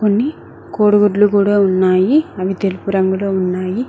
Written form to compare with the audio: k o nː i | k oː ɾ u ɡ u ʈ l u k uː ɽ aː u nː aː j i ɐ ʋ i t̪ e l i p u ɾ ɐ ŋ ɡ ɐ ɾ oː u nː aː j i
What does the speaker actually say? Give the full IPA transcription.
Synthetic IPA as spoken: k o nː i | k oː ɽ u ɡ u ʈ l u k uː ɽ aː u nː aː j i ɐ ʋ i t̪ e l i p u ɾ ɐ ŋ ɡ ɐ l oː u nː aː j i